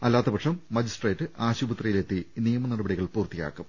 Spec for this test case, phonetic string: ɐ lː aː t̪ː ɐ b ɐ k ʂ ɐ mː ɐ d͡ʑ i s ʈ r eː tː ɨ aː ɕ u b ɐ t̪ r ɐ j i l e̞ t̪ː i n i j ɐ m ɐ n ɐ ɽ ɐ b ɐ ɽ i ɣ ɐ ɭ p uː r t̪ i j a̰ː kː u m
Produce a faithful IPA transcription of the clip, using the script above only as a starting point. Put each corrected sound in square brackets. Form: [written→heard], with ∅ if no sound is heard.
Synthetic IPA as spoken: ɐ lː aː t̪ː ɐ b ɐ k ʂ ɐ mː ɐ d͡ʑ i s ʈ r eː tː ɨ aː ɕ u b ɐ t̪ r ɐ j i l e̞ t̪ː i n i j ɐ m ɐ n ɐ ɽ ɐ b ɐ ɽ i ɣ ɐ ɭ p uː r t̪ i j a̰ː kː u m